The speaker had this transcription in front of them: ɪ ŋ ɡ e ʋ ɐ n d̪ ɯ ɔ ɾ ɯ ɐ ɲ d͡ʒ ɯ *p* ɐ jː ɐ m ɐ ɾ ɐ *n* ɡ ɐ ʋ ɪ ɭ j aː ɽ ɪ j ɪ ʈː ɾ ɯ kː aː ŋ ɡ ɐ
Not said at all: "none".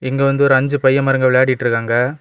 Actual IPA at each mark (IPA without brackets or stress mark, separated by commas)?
p, ŋ